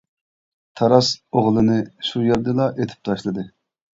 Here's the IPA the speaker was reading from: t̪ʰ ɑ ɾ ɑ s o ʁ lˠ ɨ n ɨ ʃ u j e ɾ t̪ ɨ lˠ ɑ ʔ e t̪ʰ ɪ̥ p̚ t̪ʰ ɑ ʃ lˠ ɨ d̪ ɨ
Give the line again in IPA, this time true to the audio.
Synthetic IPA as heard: t̪ʰ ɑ ɾ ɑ s o ʁ lˠ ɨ n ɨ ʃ u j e ɾ d̪ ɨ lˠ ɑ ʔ e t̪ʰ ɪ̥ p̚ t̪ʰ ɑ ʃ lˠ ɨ d̪ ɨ

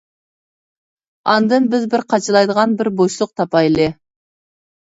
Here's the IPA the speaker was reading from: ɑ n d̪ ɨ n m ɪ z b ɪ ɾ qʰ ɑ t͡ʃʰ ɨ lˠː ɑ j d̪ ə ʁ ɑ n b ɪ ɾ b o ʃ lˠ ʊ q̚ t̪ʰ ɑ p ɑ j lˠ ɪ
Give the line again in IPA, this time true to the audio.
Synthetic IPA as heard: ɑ n d̪ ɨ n b ɪ z b ɪ ɾ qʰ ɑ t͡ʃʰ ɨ lˠ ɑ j d̪ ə ʁ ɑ n b ɪ ɾ b o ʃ lˠ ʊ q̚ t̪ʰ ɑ p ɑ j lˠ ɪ

